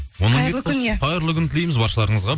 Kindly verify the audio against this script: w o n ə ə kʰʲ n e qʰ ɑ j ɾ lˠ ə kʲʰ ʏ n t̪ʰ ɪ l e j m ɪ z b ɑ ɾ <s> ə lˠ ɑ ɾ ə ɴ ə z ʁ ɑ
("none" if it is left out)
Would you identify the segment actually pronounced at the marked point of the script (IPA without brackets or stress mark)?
ʃ